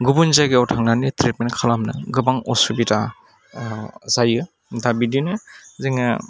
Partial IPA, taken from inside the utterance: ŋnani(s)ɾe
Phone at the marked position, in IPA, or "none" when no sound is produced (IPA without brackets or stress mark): t